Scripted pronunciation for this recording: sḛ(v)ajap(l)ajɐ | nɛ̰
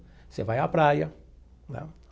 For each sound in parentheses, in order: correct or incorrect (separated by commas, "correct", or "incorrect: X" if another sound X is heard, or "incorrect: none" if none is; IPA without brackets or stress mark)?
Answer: correct, incorrect: ɾ